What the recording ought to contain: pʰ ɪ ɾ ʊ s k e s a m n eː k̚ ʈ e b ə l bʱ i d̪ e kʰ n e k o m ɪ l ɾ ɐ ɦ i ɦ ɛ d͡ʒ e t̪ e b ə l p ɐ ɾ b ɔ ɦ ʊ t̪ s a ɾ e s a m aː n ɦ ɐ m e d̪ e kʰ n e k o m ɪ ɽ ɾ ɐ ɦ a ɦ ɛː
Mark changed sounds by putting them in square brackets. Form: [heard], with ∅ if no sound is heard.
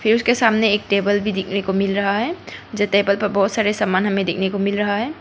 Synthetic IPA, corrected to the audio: pʰ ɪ ɾ ʊ s k e s a m n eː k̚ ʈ e b ə l bʱ i d̪ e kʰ n e k o m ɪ l ɾ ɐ ɦ [a] ɦ ɛ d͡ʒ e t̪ e b ə l p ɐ ɾ b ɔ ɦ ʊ t̪ s a ɾ e s a m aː n ɦ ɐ m e d̪ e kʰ n e k o m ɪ [l] ɾ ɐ ɦ a ɦ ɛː